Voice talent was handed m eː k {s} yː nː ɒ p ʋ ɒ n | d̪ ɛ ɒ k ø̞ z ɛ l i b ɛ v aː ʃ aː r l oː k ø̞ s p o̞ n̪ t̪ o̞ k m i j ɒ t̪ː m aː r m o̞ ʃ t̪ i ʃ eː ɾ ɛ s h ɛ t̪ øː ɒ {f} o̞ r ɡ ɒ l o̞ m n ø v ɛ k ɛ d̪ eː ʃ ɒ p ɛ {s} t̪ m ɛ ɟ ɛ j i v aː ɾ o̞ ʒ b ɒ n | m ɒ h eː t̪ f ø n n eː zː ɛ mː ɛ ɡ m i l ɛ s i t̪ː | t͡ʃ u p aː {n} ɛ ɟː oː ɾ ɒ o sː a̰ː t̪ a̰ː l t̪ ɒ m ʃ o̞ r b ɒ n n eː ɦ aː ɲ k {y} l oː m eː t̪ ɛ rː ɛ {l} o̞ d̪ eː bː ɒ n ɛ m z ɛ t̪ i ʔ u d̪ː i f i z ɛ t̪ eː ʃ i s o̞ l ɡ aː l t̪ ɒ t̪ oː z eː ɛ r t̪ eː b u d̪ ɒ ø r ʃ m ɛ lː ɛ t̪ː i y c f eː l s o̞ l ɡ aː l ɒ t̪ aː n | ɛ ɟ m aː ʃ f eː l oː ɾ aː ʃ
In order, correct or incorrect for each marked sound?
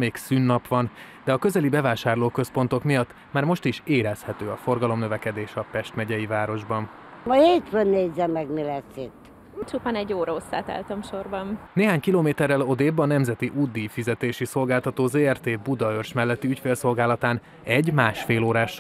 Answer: correct, correct, incorrect, correct, incorrect, correct

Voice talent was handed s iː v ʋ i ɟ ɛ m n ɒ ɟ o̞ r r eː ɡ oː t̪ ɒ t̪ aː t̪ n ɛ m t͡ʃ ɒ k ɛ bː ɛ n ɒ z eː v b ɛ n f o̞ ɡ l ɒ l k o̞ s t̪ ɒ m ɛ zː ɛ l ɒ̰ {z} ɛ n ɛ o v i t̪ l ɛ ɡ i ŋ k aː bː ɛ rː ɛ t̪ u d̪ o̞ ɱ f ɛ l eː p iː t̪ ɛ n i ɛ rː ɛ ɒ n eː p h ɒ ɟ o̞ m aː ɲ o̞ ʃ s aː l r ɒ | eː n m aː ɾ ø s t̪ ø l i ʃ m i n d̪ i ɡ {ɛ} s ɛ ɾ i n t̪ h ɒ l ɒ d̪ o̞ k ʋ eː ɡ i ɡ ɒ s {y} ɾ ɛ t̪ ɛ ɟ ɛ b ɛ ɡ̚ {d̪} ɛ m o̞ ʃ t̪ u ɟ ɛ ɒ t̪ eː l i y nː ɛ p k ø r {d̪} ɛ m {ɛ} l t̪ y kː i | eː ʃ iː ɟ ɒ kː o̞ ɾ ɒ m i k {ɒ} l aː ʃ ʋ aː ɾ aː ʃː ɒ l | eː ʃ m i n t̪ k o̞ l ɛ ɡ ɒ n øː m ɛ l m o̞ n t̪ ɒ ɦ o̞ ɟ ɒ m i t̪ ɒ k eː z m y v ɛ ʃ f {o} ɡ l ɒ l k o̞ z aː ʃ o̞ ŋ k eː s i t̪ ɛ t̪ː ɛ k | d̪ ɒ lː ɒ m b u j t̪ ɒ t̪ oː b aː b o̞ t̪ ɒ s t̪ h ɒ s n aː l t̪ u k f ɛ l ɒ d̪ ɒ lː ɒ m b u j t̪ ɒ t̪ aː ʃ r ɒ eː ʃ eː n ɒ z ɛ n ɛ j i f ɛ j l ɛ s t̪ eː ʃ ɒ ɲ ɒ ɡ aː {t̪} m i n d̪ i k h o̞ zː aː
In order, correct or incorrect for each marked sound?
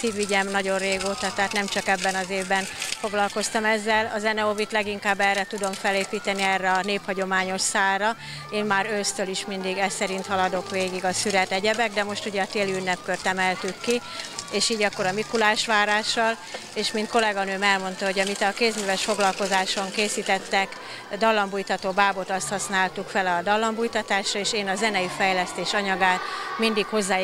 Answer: correct, correct, correct, correct, incorrect, correct, incorrect, correct, correct

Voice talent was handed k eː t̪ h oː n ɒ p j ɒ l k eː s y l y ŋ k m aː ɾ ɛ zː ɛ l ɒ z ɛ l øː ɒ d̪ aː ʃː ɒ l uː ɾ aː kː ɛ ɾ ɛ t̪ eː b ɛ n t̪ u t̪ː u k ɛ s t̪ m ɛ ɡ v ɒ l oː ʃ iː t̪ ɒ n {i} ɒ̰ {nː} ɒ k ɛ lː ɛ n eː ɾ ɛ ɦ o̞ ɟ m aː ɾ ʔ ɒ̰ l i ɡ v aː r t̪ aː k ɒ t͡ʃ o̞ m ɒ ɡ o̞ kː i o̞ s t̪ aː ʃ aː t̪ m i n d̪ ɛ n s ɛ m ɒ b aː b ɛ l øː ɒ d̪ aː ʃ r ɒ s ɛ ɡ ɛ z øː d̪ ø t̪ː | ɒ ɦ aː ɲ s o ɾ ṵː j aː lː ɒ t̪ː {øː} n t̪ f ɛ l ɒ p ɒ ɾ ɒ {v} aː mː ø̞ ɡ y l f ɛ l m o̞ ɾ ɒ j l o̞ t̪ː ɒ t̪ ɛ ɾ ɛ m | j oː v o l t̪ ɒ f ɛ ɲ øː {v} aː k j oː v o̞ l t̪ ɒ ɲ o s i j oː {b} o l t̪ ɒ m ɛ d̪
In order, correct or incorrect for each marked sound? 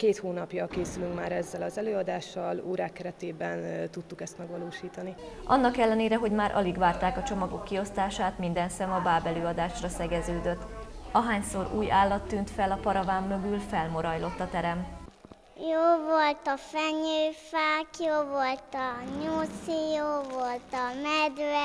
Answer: correct, correct, incorrect, correct, incorrect, incorrect

